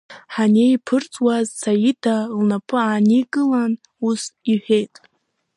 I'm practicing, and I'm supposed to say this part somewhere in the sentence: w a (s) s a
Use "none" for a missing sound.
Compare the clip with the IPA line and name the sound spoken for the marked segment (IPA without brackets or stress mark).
z